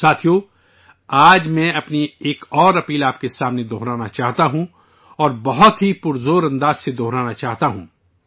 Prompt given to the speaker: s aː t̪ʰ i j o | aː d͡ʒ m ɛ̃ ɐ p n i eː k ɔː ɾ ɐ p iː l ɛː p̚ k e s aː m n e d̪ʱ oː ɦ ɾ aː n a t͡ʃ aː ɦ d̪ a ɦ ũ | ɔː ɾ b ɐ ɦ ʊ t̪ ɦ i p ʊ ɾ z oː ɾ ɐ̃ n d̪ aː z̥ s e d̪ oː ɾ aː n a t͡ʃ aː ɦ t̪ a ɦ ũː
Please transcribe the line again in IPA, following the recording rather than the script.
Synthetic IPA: s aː t̪ʰ i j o | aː d͡ʒ m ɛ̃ ɐ p n i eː k ɔː ɾ ɐ p iː l aː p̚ k e s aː m n e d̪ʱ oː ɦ ɾ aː n a t͡ʃ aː ɦ t̪ a ɦ ũ | ɔː ɾ b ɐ ɦ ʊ t̪ ɦ i p ʊ ɾ z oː ɾ ɐ̃ n d̪ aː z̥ s e d̪ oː ɾ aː n a t͡ʃ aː ɦ t̪ a ɦ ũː

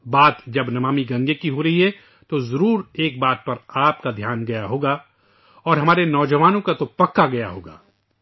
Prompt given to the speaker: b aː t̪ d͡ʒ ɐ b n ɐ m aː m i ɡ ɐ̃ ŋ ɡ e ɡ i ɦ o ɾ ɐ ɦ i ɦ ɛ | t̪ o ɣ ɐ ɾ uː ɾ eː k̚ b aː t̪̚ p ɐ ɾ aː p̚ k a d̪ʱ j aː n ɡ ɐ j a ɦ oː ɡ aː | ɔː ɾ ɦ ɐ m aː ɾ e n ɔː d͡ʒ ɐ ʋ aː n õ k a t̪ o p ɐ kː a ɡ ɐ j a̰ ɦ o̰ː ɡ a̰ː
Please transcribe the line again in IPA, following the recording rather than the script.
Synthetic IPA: b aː t̪ d͡ʒ ɐ b n ɐ m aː m i ɡ ɐ̃ ŋ ɡ e k i ɦ o ɾ ɐ ɦ i ɦ ɛ | t̪ o z ɐ ɾ uː ɾ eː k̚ b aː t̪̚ p ɐ ɾ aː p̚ k a d̪ʱ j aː n ɡ ɐ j a ɦ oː ɡ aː | ɔː ɾ ɦ ɐ m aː ɾ e n ɔː d͡ʒ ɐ ʋ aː n õ k a t̪ o p ɐ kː a ɡ ɐ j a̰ ɦ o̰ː ɡ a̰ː

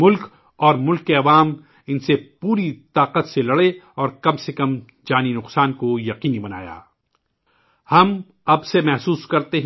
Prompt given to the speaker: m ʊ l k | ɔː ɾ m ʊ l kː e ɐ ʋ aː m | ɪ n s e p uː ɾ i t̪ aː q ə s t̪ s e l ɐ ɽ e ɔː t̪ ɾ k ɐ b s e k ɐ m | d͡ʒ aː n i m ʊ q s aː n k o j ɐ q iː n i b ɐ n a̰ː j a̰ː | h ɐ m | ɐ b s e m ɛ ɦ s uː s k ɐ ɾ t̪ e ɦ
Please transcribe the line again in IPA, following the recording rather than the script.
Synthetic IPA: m ʊ l k | ɔː ɾ m ʊ l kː e ɐ ʋ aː m | ɪ n s e p uː ɾ i t̪ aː q ə t̪ s e l ɐ ɽ e ɔː ɾ k ɐ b s e k ɐ m | d͡ʒ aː n i n ʊ q s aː n k o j ɐ q iː n i b ɐ n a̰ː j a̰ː | h ɐ m | ɐ b s e m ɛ ɦ s uː s k ɐ ɾ t̪ e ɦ

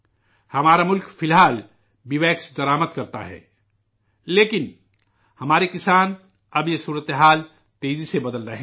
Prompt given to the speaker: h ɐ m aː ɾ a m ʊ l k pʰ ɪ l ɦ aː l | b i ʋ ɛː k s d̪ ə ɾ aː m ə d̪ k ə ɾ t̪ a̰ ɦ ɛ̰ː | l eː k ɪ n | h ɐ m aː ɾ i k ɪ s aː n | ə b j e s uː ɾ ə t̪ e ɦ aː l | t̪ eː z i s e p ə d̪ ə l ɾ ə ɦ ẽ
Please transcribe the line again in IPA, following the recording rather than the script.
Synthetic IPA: h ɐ m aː ɾ a m ʊ l k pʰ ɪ l ɦ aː l | b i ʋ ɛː k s d̪ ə ɾ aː m ə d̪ k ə ɾ t̪ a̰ ɦ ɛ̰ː | l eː k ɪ n | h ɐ m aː ɾ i k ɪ s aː n | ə b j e s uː ɾ ə t̪ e ɦ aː l | t̪ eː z i s e b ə d̪ ə l ɾ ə ɦ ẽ

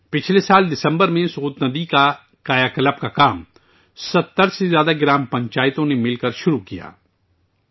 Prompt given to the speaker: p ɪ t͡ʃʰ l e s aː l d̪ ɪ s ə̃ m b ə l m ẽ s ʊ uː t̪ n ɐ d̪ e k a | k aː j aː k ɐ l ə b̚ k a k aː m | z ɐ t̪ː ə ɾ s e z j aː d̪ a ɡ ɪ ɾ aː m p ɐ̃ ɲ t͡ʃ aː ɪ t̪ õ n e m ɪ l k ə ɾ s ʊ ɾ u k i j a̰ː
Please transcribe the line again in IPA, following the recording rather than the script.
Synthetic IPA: p ɪ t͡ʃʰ l e s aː l d̪ ɪ s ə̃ m b ə ɾ m ẽ s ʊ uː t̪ n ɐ d̪ i k a | k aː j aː k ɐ l ə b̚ k a k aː m | s ɐ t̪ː ə ɾ s e z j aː d̪ a ɡ ɪ ɾ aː m p ɐ̃ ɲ t͡ʃ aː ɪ t̪ õ n e m ɪ l k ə ɾ ʃ ʊ ɾ u k i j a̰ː

